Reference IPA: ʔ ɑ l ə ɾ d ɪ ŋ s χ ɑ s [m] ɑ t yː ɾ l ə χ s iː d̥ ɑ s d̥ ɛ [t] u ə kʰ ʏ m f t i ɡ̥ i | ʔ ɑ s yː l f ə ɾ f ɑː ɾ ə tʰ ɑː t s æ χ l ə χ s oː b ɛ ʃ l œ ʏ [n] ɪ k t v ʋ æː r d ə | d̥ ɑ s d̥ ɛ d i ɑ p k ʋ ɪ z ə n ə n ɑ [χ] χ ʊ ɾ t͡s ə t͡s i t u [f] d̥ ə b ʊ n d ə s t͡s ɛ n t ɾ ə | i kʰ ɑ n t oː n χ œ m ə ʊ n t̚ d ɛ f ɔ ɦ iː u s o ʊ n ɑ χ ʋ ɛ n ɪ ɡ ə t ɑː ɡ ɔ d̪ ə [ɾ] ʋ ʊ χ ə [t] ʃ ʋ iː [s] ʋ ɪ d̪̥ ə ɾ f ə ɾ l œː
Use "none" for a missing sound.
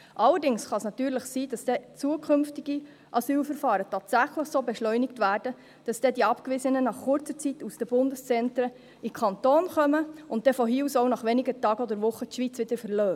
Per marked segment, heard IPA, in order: n, t͡s, n, χ, s, ɾ, t, t͡s

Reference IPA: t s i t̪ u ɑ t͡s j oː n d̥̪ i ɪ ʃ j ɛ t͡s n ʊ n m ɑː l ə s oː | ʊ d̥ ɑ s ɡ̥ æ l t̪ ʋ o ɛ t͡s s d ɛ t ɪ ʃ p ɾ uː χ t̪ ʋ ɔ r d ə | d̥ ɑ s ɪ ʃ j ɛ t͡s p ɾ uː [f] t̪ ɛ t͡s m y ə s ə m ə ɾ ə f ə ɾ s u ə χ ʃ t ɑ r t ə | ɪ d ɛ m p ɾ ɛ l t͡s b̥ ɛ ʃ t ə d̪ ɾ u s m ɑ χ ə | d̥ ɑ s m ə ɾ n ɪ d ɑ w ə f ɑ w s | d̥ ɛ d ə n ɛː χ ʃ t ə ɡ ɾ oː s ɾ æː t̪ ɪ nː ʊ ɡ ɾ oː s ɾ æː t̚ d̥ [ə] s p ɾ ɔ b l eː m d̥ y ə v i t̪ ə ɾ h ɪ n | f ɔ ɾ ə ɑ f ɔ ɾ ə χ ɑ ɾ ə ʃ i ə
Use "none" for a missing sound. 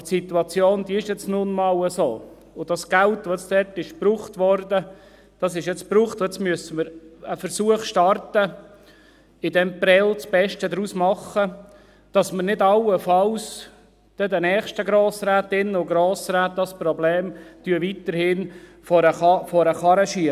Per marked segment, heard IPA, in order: χ, ɑ

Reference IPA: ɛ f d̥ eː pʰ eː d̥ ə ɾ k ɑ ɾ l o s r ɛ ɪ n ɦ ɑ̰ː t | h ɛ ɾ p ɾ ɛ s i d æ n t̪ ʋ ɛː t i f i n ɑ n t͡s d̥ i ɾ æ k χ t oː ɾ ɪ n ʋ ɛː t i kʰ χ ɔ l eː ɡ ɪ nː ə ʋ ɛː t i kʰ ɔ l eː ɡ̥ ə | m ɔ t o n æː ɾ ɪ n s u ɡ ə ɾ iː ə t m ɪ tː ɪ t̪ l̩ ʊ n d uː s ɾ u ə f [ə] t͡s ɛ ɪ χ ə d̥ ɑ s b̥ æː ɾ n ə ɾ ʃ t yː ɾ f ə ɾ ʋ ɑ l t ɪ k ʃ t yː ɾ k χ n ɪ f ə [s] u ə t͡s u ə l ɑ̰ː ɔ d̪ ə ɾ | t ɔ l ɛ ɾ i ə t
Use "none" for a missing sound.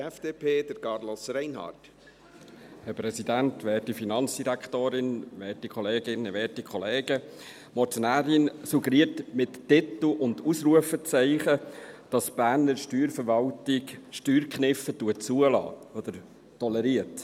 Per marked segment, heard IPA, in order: ə, t

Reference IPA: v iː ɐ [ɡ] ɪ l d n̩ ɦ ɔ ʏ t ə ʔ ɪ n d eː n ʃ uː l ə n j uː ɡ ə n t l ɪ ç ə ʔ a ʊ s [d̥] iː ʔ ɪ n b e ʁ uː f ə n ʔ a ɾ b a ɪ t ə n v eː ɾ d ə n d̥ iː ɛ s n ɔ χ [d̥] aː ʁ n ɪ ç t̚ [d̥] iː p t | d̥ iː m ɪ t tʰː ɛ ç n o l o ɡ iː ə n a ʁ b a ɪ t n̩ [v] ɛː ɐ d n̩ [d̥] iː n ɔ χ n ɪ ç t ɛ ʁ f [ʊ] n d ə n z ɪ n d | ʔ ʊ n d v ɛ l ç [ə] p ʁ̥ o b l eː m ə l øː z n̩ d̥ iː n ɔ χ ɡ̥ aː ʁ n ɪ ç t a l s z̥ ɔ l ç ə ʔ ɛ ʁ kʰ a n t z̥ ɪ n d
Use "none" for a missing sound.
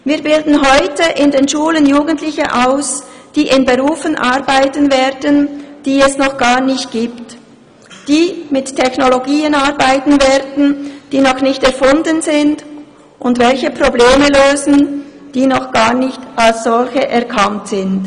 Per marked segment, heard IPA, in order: b, d̥, ɡ̥, ɡ̥, v, d̥, ʊ, ə

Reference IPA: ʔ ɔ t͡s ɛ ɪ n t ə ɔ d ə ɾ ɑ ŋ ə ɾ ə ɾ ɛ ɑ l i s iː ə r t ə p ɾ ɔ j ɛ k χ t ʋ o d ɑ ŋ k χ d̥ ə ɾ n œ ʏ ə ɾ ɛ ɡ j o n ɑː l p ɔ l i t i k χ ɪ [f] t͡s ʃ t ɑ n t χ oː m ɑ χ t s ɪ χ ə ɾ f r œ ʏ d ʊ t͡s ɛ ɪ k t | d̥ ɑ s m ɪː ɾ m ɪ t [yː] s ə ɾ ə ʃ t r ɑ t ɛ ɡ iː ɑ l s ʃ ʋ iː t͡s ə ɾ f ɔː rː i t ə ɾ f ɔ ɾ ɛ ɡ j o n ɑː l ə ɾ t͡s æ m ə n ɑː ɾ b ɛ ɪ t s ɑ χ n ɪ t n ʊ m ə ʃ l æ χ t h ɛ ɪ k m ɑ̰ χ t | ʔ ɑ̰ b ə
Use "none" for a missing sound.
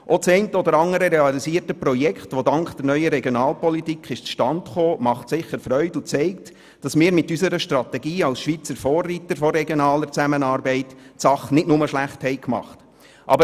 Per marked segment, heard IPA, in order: ʃ, y

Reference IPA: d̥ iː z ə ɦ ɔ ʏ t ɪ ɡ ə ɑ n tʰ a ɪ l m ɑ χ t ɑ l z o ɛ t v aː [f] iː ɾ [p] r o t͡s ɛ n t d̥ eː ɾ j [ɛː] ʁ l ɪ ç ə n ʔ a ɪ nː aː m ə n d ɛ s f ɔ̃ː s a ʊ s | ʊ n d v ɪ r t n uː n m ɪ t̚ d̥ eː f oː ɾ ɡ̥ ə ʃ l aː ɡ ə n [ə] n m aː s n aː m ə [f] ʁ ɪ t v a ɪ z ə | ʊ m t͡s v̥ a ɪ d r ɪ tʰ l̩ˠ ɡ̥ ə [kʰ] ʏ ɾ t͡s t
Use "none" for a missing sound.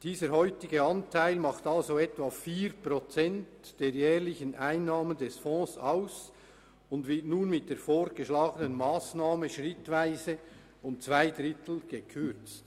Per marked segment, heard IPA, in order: f, p, ɛː, ə, ʃ, kʰ

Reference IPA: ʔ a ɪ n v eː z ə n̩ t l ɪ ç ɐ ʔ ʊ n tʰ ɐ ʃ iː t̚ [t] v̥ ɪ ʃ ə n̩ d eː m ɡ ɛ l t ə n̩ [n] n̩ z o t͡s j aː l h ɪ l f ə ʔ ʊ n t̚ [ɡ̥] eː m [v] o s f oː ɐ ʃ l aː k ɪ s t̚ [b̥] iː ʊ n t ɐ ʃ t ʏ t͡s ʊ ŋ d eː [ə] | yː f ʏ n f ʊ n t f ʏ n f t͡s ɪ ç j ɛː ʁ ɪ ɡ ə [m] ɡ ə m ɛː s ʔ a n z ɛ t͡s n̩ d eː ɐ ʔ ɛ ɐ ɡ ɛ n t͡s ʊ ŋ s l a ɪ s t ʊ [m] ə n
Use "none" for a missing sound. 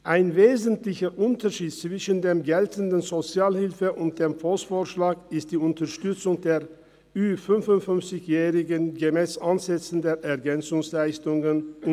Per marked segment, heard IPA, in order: t͡s, d, d̥, f, d̥, ɐ, n, ŋ

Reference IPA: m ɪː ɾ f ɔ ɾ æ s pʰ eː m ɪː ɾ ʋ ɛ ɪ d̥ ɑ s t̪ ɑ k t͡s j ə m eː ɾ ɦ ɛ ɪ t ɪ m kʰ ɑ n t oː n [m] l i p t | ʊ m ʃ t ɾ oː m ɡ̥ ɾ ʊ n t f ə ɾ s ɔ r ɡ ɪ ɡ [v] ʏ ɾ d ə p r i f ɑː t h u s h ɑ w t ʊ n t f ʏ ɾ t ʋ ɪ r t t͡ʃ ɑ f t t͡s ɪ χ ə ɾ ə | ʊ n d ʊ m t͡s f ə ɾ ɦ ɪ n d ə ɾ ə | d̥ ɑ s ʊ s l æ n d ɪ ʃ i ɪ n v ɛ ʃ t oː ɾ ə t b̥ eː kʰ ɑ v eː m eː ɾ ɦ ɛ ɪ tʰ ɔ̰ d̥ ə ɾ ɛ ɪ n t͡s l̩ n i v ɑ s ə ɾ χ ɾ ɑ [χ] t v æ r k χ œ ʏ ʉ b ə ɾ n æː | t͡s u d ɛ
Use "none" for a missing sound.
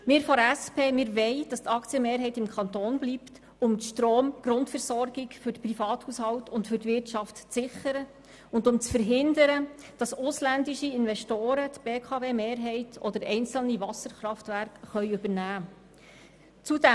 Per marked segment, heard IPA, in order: b, f, f

